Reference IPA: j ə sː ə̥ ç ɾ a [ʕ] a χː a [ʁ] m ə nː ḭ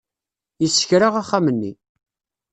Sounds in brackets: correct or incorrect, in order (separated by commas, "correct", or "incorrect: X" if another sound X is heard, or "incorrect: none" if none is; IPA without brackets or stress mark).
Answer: incorrect: ʁ, incorrect: none